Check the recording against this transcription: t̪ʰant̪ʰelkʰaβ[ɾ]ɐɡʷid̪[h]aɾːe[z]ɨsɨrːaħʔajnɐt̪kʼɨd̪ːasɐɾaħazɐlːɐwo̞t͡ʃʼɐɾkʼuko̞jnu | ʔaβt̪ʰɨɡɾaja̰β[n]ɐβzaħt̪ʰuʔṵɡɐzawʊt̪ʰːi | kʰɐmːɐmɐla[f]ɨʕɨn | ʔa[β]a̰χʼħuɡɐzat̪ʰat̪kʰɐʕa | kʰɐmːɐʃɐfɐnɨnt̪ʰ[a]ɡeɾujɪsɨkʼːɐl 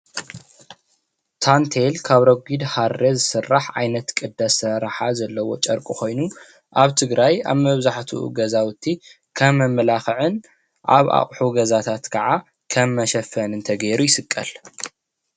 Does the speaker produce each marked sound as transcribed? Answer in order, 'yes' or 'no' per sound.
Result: yes, yes, yes, no, no, yes, no

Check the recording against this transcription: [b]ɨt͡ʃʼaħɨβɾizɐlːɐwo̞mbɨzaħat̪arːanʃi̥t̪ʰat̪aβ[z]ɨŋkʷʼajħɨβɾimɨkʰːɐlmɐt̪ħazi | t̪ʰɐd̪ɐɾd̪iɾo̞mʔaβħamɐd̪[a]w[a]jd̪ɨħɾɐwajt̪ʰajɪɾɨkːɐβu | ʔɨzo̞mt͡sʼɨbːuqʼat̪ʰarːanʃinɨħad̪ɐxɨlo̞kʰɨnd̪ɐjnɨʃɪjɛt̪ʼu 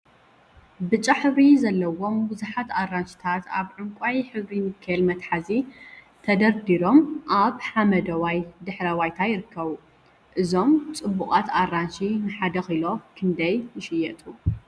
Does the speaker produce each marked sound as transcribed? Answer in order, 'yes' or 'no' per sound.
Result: yes, no, no, yes

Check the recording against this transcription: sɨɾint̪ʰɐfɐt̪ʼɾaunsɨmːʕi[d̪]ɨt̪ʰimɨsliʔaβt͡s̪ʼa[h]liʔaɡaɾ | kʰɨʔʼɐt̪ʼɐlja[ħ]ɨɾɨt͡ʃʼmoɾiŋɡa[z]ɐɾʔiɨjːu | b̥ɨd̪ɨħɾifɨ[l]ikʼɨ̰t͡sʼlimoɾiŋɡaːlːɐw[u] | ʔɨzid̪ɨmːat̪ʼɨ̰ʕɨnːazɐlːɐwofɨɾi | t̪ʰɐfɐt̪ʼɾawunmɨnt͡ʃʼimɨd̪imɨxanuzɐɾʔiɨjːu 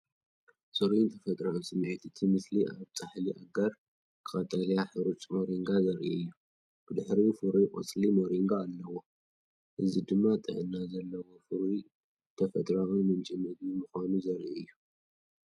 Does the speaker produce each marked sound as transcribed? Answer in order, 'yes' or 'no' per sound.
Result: no, no, yes, yes, no, no

